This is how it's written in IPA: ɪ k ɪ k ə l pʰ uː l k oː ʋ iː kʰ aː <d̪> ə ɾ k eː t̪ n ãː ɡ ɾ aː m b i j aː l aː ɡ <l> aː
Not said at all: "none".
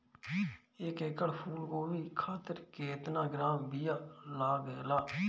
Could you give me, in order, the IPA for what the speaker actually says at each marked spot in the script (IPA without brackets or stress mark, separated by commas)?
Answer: t̪, l